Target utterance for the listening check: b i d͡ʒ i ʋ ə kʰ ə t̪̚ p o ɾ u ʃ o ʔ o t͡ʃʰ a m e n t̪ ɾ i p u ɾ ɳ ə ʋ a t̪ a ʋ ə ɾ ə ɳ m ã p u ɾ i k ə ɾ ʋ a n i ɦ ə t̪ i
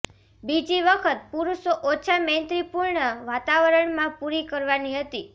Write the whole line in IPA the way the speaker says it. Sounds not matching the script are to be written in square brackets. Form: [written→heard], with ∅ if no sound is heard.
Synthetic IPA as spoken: b i d͡ʒ i ʋ ə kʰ ə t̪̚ p [o→u] ɾ u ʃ o ʔ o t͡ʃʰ a m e n t̪ ɾ i p u ɾ ɳ ə ʋ a t̪ a ʋ ə ɾ ə ɳ m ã p u ɾ i k ə ɾ ʋ a n i ɦ ə t̪ i